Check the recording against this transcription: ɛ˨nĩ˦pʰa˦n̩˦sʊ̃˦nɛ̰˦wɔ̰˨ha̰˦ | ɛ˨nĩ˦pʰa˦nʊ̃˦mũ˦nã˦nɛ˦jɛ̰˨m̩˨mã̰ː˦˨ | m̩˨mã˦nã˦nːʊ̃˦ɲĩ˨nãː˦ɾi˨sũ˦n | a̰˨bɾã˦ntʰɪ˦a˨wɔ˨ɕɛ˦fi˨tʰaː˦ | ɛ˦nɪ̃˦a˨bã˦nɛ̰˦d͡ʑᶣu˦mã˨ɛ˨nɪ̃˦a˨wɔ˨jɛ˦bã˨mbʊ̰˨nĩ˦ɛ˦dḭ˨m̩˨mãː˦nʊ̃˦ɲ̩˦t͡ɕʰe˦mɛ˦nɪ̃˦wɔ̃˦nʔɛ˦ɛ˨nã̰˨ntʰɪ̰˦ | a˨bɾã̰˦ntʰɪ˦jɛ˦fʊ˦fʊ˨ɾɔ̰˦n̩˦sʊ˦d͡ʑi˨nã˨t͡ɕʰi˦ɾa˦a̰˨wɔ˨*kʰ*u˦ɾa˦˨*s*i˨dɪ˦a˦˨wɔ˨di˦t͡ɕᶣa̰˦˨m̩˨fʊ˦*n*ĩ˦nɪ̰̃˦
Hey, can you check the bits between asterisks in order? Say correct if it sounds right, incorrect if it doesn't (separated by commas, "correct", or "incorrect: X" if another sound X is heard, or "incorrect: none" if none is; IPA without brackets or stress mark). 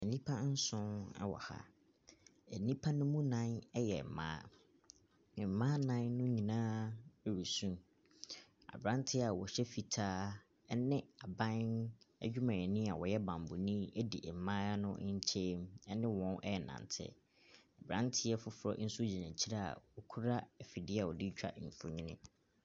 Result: correct, incorrect: f, incorrect: ɲ